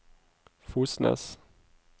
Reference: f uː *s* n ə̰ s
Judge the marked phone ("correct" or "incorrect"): correct